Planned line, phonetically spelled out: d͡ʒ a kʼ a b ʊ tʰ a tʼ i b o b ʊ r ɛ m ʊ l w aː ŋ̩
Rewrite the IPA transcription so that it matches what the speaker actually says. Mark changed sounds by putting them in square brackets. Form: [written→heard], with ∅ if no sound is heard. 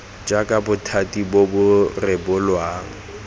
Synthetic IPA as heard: d͡ʒ a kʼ a b ʊ tʰ a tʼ i b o b ʊ r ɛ [m→b] ʊ l w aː ŋ̩